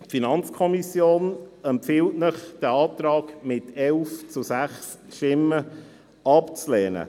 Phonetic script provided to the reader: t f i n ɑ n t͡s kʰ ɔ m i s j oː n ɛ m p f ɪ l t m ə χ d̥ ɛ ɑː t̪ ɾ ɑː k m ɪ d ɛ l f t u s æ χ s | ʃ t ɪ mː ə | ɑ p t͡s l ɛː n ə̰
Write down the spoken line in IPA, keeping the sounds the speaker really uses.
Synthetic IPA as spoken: t f i n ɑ n t͡s kʰ ɔ m i s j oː n ɛ m p f ɪ l t n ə χ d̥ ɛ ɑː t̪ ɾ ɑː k m ɪ t ɛ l f t͡s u s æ χ s | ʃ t ɪ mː ə | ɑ p t͡s l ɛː n ə̰